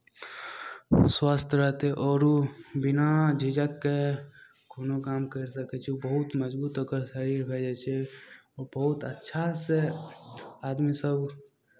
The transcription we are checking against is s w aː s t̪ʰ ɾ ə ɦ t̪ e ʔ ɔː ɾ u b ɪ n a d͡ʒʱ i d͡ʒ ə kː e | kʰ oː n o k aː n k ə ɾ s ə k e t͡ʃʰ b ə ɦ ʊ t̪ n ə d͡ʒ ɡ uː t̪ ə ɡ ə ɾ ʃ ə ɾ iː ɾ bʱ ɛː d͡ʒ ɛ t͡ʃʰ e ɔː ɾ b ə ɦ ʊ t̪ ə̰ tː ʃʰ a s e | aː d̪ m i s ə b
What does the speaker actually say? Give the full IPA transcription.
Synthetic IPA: s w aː s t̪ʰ ɾ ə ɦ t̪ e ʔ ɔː ɾ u b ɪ n a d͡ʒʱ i d͡ʒ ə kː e | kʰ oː n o k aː m k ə ɾ s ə k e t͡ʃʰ b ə ɦ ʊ t̪ m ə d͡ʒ b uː t̪ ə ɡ ə ɾ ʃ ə ɾ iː ɾ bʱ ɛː d͡ʒ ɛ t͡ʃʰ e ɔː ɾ b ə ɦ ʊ t̪ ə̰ tː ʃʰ a s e | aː d̪ m i s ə b